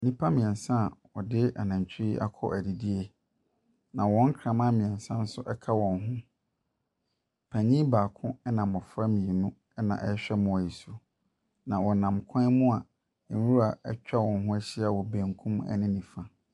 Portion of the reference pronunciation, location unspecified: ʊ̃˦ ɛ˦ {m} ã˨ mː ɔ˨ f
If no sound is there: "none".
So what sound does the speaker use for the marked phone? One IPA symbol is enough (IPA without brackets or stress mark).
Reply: n